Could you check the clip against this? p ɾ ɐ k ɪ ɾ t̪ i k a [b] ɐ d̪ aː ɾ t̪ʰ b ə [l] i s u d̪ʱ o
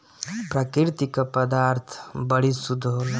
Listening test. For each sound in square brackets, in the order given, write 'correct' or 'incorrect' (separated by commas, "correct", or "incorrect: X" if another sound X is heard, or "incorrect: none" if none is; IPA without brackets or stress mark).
incorrect: p, incorrect: ɽ